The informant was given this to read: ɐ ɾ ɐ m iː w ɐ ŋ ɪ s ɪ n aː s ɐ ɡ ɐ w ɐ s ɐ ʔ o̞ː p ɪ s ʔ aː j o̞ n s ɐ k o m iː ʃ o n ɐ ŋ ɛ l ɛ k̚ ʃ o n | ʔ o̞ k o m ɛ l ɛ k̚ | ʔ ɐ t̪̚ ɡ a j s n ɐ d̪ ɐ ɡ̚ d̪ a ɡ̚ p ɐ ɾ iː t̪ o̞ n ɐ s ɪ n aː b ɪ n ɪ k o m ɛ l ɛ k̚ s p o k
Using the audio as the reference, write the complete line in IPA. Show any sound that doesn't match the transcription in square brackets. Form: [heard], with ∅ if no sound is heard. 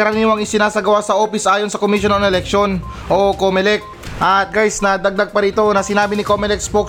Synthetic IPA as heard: ɐ ɾ ɐ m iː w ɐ ŋ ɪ s ɪ n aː s ɐ ɡ ɐ w [a] s ɐ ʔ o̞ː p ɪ s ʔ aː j o̞ n s ɐ k o m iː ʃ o n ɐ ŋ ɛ l ɛ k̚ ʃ o n | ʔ o̞ k o m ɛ l ɛ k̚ | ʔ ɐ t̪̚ ɡ a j s n ɐ d̪ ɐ ɡ̚ d̪ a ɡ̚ p ɐ ɾ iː t̪ o̞ n ɐ s ɪ n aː b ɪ n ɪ k o m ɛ l ɛ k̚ s p o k